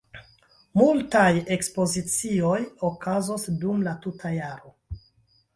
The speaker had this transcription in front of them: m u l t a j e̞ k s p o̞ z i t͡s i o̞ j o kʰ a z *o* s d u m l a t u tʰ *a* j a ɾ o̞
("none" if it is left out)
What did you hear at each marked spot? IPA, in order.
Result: o, a

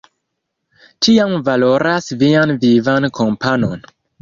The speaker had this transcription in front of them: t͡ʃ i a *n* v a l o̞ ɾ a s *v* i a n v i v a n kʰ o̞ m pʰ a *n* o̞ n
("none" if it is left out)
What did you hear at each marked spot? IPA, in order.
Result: m, v, n

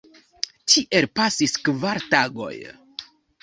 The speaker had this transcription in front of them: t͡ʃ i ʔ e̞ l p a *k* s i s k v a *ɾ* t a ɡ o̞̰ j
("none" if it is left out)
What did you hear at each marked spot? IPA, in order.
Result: none, ɾ

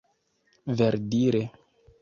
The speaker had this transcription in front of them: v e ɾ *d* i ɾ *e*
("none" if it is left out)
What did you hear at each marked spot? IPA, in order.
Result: d, e

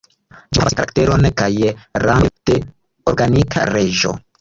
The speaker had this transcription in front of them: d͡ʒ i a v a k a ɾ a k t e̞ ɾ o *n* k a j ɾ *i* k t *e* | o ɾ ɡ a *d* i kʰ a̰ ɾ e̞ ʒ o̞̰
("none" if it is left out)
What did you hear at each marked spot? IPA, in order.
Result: n, a, e, n

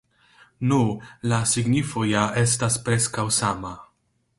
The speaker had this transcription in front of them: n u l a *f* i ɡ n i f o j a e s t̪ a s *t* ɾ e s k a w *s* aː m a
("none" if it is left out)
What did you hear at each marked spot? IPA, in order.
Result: s, p, s

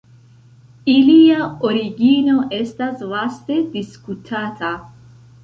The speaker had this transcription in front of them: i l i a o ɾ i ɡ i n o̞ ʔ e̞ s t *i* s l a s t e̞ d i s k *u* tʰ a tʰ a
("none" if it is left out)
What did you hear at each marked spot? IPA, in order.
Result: a, u

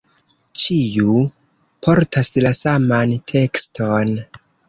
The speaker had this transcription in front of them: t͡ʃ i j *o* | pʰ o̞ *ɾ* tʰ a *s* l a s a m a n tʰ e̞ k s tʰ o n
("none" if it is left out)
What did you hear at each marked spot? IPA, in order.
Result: u, ɾ, s

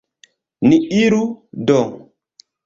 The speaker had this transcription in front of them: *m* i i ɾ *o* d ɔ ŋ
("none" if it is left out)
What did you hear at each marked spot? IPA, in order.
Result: n, u

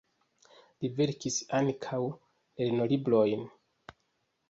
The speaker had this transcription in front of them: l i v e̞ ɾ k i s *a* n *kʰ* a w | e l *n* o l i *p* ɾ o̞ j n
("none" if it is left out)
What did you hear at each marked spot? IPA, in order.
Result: a, kʰ, n, b

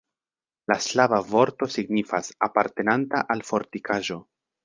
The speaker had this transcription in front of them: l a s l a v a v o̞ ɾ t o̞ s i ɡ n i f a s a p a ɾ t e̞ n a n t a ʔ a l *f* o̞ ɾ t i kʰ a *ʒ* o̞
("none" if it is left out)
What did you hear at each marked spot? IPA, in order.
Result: f, ʒ

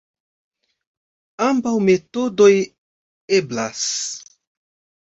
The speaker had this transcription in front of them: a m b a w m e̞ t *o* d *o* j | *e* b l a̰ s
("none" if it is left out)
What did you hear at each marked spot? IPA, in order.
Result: o, o, e

